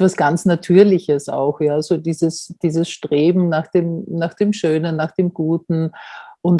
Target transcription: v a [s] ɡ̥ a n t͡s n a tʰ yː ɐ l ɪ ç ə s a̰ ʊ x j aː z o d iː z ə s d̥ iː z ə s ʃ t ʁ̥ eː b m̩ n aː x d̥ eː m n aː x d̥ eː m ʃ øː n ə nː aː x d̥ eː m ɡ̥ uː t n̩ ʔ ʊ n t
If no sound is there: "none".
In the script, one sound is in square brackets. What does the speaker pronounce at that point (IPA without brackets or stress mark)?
s